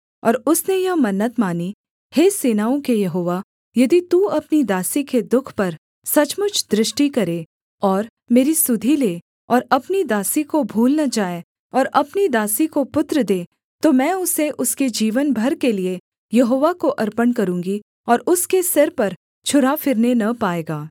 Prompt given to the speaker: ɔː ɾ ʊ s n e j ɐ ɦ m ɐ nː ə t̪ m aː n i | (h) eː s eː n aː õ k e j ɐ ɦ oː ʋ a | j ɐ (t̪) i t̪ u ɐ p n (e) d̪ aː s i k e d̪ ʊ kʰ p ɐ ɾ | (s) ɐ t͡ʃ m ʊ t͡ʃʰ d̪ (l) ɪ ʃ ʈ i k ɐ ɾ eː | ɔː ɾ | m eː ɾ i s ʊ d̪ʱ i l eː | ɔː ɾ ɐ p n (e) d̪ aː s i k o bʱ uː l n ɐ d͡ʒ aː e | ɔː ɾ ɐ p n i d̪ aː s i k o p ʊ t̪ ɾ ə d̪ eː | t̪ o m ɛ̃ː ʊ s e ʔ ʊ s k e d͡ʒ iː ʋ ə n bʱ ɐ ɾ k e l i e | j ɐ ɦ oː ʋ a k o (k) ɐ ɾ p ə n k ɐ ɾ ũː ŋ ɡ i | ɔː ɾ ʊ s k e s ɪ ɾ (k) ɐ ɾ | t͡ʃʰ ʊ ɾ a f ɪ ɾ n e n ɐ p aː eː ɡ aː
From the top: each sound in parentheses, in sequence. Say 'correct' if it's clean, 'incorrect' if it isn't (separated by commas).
correct, incorrect, incorrect, correct, incorrect, incorrect, incorrect, incorrect